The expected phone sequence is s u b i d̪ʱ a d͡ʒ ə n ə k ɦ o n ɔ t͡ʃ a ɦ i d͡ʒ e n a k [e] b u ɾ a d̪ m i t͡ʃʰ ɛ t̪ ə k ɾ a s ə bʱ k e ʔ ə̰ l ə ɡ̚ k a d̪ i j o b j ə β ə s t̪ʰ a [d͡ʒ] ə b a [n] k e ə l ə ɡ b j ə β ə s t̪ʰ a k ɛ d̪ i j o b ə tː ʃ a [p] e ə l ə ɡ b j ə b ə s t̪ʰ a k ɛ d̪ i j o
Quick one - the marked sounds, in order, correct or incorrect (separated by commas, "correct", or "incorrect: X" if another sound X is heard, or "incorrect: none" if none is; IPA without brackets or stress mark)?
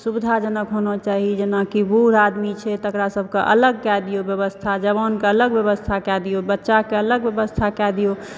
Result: incorrect: i, correct, correct, incorrect: k